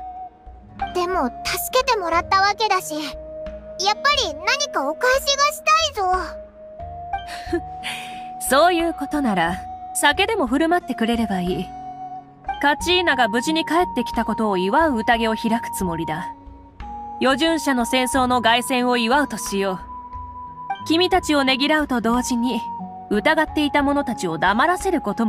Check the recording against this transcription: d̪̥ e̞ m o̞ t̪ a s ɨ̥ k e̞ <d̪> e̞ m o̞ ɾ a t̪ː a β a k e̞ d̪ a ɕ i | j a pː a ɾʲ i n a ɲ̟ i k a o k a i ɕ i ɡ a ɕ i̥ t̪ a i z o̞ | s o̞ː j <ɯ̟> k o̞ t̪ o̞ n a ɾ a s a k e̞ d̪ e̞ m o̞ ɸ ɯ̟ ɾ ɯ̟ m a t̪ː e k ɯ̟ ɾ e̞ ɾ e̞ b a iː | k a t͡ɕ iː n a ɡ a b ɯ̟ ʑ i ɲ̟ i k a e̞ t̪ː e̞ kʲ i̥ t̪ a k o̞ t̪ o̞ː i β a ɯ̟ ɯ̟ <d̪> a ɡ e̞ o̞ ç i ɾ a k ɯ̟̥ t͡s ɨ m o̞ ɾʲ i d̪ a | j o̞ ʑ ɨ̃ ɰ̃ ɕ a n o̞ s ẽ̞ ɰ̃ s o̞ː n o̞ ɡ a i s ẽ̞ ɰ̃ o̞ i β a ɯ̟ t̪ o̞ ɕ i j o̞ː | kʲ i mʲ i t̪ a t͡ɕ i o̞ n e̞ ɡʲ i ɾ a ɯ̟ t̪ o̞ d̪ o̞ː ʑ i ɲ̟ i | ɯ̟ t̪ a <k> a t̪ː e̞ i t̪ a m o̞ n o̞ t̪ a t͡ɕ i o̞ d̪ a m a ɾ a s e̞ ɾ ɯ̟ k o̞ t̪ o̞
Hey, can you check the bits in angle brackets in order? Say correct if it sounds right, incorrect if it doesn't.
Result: incorrect, incorrect, incorrect, incorrect

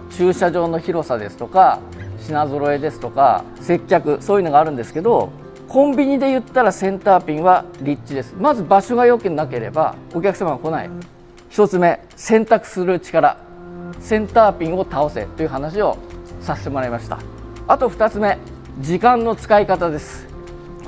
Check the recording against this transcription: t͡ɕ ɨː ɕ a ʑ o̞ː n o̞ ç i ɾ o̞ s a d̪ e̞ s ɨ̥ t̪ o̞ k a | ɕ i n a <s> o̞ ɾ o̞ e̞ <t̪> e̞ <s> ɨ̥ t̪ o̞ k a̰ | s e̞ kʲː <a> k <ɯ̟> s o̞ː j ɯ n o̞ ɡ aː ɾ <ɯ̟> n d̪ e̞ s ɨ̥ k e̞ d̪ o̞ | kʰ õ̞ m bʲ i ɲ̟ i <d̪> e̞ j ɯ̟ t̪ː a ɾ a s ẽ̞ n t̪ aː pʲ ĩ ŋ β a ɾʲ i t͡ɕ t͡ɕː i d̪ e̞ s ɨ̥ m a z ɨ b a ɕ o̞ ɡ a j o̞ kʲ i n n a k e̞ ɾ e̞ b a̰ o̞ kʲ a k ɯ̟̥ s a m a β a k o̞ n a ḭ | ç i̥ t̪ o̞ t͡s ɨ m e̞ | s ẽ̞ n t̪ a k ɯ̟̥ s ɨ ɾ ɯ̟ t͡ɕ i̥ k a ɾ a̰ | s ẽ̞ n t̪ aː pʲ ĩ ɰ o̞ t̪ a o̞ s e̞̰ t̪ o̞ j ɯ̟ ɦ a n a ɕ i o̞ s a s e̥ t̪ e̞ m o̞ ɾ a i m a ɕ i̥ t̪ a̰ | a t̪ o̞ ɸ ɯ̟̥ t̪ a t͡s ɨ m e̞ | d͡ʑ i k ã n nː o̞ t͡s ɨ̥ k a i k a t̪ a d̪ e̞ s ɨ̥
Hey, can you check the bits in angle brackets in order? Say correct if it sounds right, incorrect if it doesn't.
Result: incorrect, incorrect, correct, correct, correct, incorrect, correct

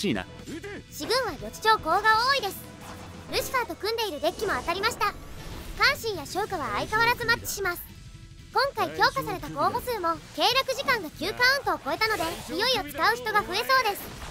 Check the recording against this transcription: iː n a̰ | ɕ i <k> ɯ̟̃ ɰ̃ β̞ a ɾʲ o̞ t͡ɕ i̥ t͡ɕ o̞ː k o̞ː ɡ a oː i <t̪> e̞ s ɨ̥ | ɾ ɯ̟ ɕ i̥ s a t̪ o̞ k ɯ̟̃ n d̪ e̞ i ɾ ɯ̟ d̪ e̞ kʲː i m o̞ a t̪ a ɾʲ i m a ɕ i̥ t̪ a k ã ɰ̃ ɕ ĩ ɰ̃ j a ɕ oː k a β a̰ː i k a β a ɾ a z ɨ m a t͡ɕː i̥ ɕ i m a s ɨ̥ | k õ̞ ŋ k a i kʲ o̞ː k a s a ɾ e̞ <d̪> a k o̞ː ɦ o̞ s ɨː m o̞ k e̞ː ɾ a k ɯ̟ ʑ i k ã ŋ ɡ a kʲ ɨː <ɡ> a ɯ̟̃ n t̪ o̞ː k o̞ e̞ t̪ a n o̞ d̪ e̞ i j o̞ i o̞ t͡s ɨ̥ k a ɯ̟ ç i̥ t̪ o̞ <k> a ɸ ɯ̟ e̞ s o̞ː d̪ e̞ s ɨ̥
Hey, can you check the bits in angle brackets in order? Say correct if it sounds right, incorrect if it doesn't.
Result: incorrect, incorrect, incorrect, incorrect, incorrect

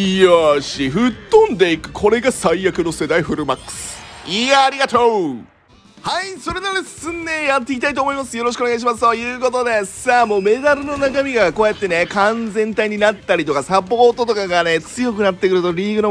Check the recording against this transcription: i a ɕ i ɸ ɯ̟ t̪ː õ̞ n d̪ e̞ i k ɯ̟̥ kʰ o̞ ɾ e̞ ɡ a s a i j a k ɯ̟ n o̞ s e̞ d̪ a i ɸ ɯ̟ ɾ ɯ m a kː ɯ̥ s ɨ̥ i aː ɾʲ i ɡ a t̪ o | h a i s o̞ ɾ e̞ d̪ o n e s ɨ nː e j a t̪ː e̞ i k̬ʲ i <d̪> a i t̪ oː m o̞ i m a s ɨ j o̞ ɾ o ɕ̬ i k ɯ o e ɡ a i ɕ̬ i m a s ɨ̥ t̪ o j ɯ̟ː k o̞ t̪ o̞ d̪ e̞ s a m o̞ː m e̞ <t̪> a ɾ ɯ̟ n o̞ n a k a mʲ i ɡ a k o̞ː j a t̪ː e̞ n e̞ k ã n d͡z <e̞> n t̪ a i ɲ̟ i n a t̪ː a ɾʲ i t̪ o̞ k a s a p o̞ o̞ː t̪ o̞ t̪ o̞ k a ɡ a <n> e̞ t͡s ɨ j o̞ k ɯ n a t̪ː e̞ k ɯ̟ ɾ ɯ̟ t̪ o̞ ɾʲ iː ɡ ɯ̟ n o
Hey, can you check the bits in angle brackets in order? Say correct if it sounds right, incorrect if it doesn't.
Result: incorrect, incorrect, incorrect, correct

